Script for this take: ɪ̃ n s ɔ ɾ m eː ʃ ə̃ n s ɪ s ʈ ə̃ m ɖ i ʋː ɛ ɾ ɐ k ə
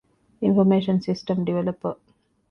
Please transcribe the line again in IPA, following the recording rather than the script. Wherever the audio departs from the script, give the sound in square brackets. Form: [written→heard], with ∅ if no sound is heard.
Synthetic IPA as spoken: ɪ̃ n [s→f] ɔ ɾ m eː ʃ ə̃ n s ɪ s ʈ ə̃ m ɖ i [ʋː→ʋ] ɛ [ɾ→l] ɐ [k→p] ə